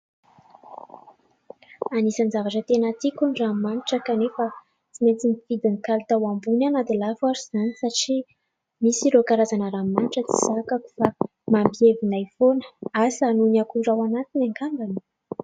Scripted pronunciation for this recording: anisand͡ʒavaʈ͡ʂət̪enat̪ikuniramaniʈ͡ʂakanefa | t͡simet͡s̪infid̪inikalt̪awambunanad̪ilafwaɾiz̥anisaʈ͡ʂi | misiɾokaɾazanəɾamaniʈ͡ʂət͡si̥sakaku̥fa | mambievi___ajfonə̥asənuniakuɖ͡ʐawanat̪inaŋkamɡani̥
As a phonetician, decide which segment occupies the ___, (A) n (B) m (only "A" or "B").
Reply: A